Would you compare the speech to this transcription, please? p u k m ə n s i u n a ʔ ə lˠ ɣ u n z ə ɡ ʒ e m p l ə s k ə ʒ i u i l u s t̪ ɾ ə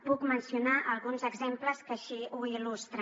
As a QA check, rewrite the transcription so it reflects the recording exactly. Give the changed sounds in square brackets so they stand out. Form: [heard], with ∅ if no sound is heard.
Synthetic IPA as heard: p u k m ə n s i u n a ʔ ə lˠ ɣ u n z ə ɡ [z] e m p l ə s k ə [ʃ] i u i l u s t̪ ɾ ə